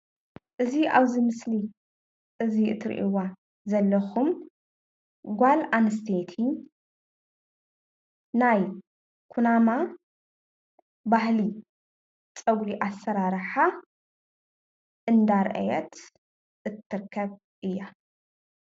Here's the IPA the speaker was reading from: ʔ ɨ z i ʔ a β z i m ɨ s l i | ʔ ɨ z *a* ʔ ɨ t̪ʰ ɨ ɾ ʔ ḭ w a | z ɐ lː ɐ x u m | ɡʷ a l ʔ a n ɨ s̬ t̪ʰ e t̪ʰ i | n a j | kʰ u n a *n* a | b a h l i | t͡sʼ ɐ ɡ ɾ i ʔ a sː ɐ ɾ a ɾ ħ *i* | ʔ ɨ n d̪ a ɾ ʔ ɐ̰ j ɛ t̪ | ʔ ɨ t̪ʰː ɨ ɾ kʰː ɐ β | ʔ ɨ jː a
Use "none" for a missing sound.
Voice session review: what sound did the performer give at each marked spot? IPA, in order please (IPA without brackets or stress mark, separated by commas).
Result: i, m, a